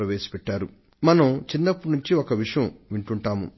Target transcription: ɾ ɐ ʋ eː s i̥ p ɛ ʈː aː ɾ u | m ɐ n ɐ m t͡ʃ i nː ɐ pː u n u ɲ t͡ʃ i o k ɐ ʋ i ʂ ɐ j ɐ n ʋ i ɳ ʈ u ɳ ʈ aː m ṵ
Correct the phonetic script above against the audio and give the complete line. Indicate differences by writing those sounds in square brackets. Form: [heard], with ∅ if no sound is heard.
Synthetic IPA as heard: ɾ ɐ ʋ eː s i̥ p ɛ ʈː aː ɾ u | m ɐ n ɐ m t͡ʃ i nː ɐ pː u n u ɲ t͡ʃ i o k ɐ ʋ i ʂ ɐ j ɐ [m] ʋ i ɳ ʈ u ɳ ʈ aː m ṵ